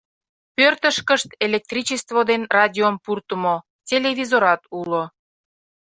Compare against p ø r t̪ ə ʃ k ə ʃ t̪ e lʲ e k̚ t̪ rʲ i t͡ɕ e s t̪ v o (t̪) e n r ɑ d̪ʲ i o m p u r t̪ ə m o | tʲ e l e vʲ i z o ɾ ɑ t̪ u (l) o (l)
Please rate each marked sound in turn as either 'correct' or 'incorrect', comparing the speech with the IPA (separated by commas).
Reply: incorrect, correct, incorrect